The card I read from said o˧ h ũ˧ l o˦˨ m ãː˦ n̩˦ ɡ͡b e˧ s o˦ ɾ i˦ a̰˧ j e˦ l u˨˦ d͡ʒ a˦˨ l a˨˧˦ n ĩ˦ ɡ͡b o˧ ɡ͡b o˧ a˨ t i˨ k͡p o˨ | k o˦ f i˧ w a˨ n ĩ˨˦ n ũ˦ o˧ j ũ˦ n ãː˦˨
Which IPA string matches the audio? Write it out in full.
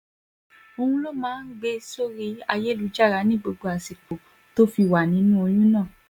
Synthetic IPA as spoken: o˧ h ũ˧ l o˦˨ m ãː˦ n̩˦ ɡ͡b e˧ s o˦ ɾ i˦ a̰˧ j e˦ l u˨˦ d͡ʒ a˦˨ ɾ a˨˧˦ n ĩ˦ ɡ͡b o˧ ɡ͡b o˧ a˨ s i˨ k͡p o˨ | t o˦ f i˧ w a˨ n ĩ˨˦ n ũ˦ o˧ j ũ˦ n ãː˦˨